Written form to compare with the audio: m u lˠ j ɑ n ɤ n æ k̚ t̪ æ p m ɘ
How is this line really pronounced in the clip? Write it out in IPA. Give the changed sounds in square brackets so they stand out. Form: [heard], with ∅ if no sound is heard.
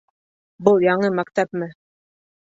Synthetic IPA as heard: [b] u lˠ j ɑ [ɴ] ɤ [m] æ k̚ t̪ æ p m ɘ